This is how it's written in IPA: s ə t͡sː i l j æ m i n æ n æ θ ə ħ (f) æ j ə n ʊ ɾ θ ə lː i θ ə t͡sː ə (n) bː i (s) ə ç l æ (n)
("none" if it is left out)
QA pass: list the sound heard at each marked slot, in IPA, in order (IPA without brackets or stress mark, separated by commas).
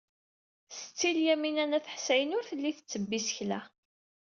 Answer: s, none, s, none